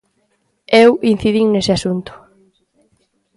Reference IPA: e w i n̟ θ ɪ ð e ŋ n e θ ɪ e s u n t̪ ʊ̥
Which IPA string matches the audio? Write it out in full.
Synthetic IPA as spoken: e w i n̟ θ i ð i ŋ n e s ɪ a s u n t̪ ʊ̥